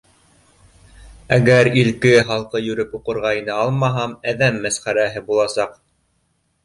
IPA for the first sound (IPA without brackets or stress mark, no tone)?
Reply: æ